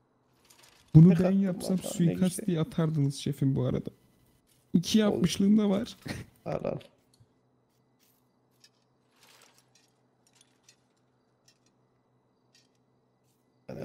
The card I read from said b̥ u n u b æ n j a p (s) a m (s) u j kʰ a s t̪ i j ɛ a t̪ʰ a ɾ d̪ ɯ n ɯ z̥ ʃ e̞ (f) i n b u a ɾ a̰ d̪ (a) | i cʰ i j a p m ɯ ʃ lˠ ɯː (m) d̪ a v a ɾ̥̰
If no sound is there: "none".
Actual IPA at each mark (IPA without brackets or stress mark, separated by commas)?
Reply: s, s, f, a, n